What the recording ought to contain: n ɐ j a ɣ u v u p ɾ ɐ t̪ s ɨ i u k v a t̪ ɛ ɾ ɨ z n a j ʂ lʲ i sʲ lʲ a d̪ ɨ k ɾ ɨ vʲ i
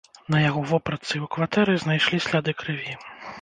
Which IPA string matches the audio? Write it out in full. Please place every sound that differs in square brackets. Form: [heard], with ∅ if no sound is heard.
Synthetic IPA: n ɐ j a ɣ [ɔ] v [ɔ] p ɾ ɐ t̪ s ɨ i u k v a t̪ ɛ ɾ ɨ z n a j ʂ lʲ i sʲ lʲ a d̪ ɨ k ɾ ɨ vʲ i

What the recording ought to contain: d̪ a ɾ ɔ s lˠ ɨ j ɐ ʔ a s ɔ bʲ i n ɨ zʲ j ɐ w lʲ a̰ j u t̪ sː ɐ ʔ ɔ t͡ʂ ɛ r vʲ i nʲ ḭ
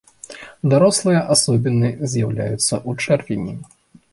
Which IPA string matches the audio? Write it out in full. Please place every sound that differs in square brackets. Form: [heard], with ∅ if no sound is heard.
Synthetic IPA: d̪ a ɾ ɔ s lˠ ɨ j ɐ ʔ a s ɔ bʲ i n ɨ zʲ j [a] w lʲ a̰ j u t̪ sː ɐ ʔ [u] t͡ʂ ɛ r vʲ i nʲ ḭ

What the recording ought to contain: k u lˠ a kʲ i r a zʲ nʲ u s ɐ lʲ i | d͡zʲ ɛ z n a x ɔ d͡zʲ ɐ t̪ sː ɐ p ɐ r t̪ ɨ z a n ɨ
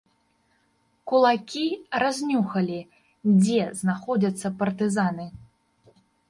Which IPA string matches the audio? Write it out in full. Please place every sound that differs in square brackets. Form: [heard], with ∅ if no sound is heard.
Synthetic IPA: k u lˠ a kʲ i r a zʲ nʲ u [x] ɐ lʲ i | d͡zʲ ɛ z n a x ɔ d͡zʲ ɐ t̪ sː ɐ p ɐ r t̪ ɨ z a n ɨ

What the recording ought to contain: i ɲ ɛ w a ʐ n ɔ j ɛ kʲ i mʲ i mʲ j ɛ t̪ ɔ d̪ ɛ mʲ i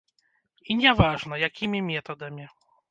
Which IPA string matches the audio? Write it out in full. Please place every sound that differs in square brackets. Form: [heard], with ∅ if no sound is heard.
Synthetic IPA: i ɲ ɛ [v] a ʐ n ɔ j [a] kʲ i mʲ i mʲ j ɛ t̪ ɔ d̪ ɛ mʲ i

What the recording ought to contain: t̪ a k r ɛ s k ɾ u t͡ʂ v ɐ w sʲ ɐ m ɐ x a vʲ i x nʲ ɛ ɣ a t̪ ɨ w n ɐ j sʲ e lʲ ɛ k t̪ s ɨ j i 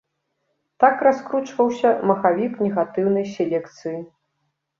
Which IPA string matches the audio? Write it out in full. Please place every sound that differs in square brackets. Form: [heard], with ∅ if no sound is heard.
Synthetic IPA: t̪ a k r [a] s k ɾ u t͡ʂ v ɐ w sʲ ɐ m ɐ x a vʲ i [k] nʲ ɛ ɣ a t̪ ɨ w n ɐ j sʲ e lʲ ɛ k t̪ s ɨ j i

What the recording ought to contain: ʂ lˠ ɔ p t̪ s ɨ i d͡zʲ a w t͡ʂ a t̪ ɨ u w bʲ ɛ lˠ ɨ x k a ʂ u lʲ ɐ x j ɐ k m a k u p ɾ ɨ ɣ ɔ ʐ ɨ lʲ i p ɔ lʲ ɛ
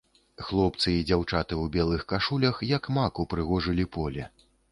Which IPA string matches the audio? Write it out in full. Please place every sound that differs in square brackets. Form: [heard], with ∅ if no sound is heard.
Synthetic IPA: [x] lˠ ɔ p t̪ s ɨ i d͡zʲ a w t͡ʂ a t̪ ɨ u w bʲ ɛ lˠ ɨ x k a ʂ u lʲ ɐ x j ɐ k m a k u p ɾ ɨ ɣ ɔ ʐ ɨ lʲ i p ɔ lʲ ɛ

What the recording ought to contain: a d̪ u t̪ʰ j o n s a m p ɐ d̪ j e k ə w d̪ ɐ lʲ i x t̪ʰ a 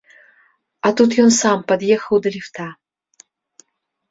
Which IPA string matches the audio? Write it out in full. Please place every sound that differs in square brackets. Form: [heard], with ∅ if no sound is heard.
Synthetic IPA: a [t̪] u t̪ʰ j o n s a m p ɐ d̪ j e [x] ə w d̪ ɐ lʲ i [f] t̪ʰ a

